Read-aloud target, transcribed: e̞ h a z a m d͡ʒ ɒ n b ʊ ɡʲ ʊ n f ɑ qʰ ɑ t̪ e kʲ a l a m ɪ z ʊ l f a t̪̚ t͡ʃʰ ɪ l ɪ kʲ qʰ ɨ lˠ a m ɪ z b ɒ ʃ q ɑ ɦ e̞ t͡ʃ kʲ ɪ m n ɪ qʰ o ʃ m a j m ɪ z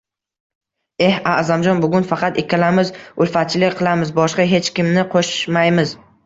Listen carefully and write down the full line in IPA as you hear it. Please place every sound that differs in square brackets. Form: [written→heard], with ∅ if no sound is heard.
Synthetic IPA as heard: e̞ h a z a m d͡ʒ ɒ n b ʊ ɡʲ ʊ n f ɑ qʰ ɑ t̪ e kʲ a l a m ɪ z ʊ l f a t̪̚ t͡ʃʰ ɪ l ɪ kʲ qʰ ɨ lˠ a m ɪ z b ɒ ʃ q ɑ ɦ e̞ t͡ʃ kʲ ɪ m n ɪ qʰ o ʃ m a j m ɪ z